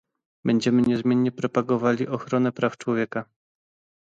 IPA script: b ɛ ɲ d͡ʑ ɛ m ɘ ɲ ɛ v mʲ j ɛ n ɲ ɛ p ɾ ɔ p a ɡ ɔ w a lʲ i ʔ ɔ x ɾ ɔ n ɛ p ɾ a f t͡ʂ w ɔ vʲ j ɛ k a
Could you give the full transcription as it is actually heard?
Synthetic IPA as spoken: b ɛ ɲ d͡ʑ ɛ m ɘ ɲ ɛ z mʲ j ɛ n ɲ ɛ p ɾ ɔ p a ɡ ɔ v a lʲ i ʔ ɔ x ɾ ɔ n ɛ p ɾ a f t͡ʂ w ɔ vʲ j ɛ k a